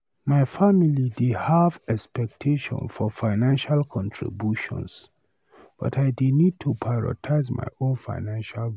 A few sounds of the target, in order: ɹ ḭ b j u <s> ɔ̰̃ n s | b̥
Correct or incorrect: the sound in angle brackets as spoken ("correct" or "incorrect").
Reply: incorrect